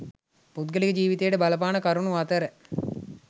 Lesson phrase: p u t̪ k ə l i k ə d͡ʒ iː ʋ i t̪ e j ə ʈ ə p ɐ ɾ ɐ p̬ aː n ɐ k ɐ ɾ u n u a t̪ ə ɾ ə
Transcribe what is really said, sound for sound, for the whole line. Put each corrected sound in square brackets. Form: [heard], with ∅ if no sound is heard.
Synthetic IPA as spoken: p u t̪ [ɡ] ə l i k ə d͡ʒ iː ʋ i t̪ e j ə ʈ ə [b] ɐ [l] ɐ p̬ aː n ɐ k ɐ ɾ u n u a t̪ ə ɾ ə

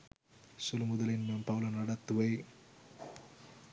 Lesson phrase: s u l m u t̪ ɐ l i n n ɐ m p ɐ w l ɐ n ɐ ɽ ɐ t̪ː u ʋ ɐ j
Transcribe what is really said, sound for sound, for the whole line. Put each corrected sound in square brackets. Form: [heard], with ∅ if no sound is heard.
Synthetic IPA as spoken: s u l m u [d̪] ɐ l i n [m] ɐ m p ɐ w l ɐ n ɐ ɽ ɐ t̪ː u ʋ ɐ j

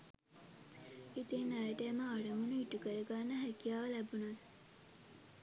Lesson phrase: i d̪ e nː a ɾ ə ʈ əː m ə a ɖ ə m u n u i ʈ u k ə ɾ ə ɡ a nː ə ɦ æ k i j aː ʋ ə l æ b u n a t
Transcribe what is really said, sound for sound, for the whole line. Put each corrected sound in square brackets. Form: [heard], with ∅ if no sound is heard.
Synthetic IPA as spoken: i [t̪] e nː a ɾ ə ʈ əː m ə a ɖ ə m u n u i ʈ u k ə ɾ ə ɡ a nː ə ɦ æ k i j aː ʋ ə l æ b u n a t

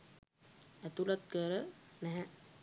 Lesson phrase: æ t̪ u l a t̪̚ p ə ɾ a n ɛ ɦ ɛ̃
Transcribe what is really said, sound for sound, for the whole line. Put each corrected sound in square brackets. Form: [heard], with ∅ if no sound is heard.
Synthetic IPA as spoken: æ t̪ u l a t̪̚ [k] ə ɾ [ə] n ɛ ɦ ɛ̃

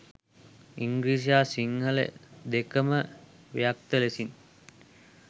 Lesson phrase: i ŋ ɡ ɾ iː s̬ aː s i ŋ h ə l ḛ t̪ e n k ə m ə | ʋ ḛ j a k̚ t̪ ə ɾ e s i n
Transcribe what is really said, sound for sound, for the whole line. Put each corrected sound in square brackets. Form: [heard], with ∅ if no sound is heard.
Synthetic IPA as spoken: i ŋ ɡ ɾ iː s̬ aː s i ŋ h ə l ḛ [d̪] e [∅] k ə m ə | ʋ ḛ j a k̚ t̪ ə [l] e s i n

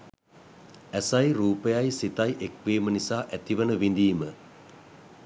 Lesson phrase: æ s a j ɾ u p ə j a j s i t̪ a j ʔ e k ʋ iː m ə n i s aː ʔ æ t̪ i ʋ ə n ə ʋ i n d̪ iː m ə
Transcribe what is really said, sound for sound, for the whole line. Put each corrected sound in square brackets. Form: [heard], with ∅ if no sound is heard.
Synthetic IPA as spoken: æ s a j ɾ [uː] p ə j a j s i t̪ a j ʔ e k ʋ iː m ə n i s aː ʔ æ t̪ i ʋ ə n ə ʋ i n d̪ iː m ə

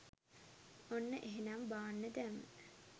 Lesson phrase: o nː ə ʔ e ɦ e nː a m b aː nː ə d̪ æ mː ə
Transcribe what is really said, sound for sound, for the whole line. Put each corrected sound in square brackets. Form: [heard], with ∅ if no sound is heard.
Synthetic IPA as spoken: o nː ə ʔ e ɦ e [n] a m b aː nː ə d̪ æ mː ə

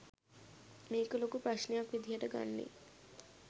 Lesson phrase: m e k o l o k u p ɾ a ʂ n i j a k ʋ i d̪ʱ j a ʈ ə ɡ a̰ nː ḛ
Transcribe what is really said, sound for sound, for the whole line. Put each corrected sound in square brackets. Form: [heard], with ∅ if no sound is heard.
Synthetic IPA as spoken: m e k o l o k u p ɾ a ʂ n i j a k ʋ i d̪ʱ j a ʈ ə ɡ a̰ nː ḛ

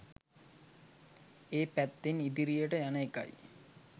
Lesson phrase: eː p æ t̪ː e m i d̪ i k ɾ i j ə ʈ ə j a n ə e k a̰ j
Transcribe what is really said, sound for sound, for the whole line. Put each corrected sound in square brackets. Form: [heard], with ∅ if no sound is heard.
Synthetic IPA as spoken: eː p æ t̪ː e [n] i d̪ i [∅] ɾ i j ə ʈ ə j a n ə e k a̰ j

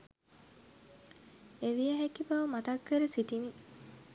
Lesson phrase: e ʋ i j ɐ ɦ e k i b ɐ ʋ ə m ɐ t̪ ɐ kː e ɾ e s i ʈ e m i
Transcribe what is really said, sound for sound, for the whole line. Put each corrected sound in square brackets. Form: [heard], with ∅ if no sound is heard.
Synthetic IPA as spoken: e ʋ i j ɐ ɦ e k i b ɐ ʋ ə m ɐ t̪ ɐ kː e ɾ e s i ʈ [i] m i

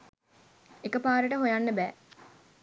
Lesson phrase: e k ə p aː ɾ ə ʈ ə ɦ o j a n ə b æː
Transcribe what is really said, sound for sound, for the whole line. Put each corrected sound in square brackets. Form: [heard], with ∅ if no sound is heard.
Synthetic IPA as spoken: e k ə p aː ɾ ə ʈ ə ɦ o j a [nː] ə b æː

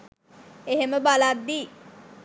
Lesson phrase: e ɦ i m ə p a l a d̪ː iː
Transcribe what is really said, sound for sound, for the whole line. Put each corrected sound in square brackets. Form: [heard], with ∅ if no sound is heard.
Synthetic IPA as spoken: e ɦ [e] m ə [b] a l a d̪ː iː

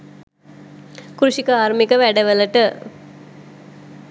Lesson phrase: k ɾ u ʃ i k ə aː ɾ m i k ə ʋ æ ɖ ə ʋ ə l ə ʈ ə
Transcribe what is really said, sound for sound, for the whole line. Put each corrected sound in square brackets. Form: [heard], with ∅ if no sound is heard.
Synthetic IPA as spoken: k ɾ u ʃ i k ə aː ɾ m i k ə ʋ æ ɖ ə ʋ ə l ə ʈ ə

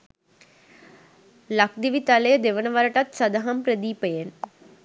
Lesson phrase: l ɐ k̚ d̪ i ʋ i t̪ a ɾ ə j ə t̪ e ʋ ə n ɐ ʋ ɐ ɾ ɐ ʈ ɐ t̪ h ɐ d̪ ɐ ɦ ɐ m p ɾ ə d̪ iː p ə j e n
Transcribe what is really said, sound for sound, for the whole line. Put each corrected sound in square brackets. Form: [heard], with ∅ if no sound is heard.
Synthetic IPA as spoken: l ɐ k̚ d̪ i ʋ i t̪ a [l] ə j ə [d̪] e ʋ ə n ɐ ʋ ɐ ɾ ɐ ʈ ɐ t̪ [s] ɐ d̪ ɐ ɦ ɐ m p ɾ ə d̪ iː p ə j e n

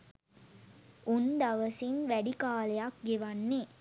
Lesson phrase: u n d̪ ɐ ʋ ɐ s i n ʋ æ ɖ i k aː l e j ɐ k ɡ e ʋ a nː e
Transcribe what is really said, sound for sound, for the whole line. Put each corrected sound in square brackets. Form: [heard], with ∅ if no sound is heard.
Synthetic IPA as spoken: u n d̪ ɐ ʋ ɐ s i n ʋ æ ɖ i k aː l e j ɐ k ɡ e ʋ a nː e

